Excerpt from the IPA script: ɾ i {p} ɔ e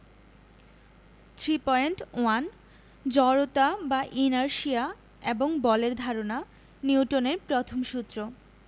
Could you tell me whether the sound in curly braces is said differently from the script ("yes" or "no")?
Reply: no